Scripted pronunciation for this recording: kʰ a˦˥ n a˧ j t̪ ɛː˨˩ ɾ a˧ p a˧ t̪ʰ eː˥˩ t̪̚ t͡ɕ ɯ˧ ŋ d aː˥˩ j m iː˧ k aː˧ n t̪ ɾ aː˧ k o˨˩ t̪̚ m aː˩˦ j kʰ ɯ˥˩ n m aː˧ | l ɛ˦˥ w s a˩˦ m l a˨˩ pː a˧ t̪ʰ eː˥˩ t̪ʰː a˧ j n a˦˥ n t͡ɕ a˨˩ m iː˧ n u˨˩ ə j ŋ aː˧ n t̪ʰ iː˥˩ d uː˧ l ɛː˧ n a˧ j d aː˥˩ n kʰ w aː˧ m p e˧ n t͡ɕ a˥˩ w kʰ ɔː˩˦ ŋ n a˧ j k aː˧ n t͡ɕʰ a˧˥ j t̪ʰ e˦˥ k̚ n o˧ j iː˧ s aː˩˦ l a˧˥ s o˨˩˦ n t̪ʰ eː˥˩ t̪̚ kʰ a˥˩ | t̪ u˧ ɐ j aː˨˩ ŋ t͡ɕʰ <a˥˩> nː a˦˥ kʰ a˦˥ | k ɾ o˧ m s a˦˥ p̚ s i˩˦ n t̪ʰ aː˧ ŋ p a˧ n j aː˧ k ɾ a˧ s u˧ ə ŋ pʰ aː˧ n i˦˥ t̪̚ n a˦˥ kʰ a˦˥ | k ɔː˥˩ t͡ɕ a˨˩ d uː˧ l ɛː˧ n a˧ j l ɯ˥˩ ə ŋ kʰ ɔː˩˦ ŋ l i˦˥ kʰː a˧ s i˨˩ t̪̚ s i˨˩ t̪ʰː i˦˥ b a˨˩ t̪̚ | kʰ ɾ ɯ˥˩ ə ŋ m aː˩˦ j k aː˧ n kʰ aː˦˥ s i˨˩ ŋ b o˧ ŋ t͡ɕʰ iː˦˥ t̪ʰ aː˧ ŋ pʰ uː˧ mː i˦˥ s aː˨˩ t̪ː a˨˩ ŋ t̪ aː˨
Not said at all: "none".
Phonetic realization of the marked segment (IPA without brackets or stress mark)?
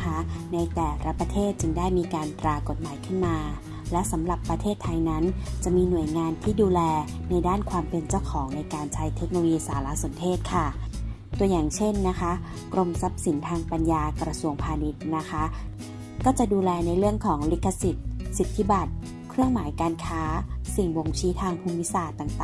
e˥˩